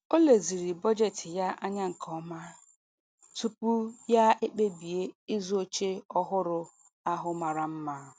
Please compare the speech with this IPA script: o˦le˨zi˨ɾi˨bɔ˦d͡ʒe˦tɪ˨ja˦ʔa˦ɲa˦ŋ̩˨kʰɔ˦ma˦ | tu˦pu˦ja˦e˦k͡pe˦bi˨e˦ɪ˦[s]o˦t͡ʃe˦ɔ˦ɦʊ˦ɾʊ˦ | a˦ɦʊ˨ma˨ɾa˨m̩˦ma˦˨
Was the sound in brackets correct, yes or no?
no